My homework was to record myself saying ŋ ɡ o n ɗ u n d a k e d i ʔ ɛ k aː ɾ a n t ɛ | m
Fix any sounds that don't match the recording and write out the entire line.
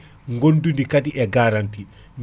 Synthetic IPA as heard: ŋ ɡ o n d u n d i k a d i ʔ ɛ ɡ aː ɾ a n t i | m